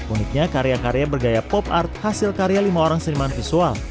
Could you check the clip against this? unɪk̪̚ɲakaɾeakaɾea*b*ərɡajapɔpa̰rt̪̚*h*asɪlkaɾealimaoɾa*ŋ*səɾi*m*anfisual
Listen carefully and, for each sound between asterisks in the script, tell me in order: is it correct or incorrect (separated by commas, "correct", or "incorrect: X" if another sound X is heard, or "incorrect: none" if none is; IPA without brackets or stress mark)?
correct, correct, correct, correct